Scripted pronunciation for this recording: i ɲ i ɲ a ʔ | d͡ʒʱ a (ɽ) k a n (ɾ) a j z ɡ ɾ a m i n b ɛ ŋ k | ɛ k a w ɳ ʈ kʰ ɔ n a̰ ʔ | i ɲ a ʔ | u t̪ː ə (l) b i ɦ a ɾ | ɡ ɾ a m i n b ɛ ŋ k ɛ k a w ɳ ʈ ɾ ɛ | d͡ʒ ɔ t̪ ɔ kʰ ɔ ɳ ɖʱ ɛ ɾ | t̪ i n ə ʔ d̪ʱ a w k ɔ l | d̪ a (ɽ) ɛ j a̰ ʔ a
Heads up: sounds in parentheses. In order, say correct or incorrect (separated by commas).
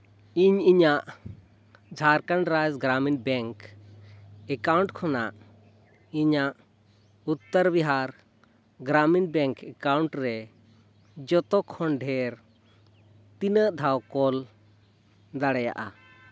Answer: incorrect, correct, incorrect, correct